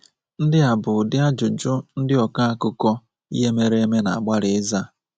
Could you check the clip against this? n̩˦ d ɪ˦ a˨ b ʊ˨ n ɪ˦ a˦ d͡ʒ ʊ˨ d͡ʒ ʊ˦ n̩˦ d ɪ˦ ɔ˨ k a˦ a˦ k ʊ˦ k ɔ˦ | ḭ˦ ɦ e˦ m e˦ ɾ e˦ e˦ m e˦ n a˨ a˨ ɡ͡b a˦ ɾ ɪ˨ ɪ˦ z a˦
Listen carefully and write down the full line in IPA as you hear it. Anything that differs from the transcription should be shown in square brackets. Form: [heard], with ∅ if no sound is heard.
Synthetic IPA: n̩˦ d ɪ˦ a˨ b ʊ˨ [d] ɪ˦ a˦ d͡ʒ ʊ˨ d͡ʒ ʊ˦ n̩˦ d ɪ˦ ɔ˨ k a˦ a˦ k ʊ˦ k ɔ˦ | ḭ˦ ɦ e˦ m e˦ ɾ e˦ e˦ m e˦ n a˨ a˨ ɡ͡b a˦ ɾ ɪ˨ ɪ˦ z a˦